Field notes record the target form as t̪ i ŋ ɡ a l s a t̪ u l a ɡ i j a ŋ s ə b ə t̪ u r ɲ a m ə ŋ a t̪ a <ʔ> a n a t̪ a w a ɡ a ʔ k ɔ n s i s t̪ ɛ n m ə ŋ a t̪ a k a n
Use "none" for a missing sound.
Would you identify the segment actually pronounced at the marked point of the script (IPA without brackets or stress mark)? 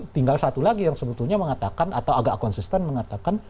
k